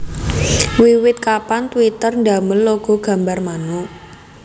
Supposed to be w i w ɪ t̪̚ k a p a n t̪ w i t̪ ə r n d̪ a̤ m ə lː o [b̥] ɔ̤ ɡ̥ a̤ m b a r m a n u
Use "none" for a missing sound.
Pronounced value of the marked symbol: ɡ̥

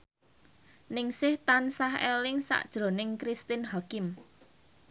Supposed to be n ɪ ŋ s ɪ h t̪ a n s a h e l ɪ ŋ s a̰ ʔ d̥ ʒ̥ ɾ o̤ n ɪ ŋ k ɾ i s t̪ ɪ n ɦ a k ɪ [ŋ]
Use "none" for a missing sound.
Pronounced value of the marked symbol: m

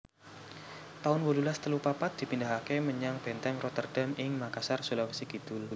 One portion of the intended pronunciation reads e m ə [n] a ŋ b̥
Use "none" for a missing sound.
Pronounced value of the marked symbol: ɲ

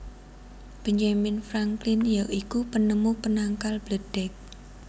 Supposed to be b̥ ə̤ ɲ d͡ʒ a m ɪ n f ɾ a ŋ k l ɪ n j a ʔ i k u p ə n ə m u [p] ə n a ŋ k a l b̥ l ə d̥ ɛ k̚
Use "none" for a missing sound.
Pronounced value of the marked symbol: p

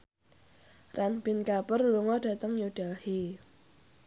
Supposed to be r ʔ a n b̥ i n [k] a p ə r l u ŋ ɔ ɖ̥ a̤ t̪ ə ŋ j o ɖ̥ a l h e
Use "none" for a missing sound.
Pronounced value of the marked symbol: k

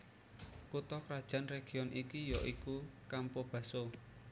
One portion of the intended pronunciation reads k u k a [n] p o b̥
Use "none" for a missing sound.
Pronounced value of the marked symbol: m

